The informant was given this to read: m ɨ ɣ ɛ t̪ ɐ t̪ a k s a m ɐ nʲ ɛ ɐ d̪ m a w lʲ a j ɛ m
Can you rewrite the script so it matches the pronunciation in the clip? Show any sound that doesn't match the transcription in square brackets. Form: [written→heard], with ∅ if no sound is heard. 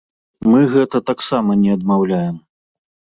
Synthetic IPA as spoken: m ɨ ɣ ɛ t̪ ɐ t̪ a k s a m ɐ nʲ ɛ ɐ d̪ m a w lʲ a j ɛ m